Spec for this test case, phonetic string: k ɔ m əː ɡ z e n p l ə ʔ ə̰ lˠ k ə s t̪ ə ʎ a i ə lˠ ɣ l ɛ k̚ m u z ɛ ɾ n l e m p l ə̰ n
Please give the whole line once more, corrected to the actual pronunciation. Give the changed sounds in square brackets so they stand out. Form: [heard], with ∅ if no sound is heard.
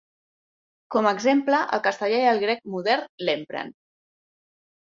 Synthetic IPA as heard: k ɔ m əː ɡ z e [m] p l ə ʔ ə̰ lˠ k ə s t̪ ə ʎ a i ə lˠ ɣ [ɾ] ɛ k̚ m u [ð] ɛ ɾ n l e m p [ɾ] ə̰ n